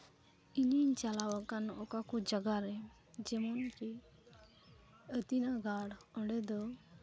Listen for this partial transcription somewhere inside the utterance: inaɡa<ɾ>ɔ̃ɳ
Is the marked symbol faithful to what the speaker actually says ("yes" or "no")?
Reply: no